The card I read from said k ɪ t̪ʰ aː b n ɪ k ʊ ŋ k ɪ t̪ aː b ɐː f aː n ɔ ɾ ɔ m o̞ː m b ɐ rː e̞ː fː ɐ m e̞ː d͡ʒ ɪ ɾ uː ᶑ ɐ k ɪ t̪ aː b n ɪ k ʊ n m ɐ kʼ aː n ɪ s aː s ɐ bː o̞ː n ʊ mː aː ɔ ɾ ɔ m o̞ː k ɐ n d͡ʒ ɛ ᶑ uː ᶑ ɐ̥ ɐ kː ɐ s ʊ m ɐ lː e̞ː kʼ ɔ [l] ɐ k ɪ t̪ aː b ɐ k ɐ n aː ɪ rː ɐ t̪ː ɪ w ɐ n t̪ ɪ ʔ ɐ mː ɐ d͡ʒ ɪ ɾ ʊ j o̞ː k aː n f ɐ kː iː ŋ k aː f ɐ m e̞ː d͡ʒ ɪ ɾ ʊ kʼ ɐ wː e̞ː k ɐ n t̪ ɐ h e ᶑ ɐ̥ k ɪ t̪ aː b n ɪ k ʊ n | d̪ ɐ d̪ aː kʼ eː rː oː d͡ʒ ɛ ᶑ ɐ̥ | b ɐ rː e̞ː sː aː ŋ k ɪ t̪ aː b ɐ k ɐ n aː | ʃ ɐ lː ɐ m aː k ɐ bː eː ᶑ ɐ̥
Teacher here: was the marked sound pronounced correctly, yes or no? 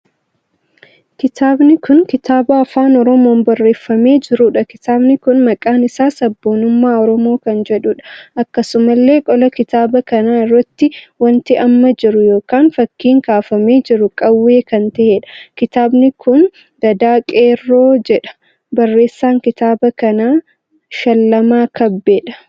yes